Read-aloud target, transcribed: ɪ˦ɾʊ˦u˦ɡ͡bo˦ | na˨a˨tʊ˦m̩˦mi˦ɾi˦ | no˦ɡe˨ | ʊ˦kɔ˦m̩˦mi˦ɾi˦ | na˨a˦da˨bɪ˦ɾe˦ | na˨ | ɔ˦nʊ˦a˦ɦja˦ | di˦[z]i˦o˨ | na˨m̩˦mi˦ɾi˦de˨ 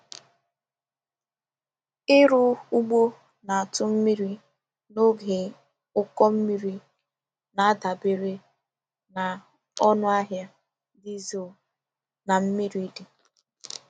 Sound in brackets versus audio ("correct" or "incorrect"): correct